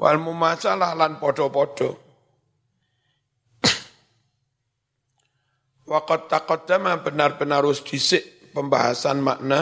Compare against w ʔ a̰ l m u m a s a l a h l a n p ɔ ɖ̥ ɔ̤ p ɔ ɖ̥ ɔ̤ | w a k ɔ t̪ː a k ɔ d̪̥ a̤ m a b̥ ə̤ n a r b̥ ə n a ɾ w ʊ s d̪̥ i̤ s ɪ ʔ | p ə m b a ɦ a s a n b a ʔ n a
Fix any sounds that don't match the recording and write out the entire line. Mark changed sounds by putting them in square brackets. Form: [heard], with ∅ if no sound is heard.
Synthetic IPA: w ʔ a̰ l m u m a s a l a h l a n p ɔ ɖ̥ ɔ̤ p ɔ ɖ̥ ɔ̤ | w a k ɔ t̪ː a k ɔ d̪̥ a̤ m a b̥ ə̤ n a r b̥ ə n a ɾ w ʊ s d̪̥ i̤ s ɪ ʔ | p ə m b a ɦ a s a n [m] a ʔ n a